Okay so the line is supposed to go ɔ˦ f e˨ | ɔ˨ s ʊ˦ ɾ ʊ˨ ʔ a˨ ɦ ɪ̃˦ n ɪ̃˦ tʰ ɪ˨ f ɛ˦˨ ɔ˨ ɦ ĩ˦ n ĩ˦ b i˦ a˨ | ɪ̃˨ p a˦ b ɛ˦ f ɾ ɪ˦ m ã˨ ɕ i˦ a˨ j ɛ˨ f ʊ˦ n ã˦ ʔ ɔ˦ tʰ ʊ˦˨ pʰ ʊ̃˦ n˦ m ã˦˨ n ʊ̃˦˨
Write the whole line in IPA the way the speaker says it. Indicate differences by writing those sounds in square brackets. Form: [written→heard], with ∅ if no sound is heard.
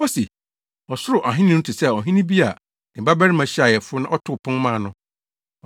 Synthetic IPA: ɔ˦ [f→s] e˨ | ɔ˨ s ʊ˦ ɾ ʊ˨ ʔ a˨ ɦ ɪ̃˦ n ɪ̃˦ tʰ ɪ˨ [f→s] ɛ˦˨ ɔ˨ ɦ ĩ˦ n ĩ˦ b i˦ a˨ | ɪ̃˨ [p→b] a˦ b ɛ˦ [f→∅] ɾ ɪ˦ m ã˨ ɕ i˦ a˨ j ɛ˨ f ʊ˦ n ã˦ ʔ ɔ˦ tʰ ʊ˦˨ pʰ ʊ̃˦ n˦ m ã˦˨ n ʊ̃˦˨

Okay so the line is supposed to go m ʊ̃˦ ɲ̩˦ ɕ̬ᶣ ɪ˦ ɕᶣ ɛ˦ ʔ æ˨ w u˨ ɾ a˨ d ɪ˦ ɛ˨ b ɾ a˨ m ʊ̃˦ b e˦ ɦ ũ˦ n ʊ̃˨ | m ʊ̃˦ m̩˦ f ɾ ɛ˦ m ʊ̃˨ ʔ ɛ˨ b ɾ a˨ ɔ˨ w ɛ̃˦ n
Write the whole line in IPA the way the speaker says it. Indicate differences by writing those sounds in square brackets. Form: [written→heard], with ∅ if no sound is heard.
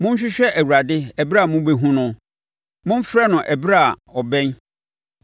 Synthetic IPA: m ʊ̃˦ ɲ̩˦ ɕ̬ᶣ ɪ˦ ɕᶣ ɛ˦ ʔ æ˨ w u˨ ɾ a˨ d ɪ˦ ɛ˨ b ɾ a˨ m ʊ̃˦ b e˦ ɦ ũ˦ n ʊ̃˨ | m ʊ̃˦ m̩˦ f ɾ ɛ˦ [m→n] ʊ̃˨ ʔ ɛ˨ b ɾ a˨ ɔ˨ [w→b] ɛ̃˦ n

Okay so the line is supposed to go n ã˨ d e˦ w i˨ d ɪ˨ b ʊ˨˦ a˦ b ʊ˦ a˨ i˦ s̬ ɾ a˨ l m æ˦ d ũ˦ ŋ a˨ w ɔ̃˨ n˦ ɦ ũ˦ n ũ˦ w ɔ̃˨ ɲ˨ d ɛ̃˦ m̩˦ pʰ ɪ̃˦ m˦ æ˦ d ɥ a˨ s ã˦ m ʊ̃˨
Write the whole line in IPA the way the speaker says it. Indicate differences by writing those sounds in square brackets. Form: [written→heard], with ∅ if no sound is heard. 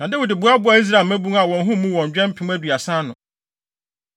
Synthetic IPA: n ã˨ d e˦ w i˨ d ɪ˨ b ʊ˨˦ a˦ b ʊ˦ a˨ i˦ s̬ ɾ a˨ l m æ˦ [d→b] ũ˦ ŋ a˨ w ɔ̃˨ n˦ ɦ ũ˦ [n→m] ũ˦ w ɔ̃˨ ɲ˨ [d→d͡ʑᶣ] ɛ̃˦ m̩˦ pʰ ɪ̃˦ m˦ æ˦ d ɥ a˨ s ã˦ [m→n] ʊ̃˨

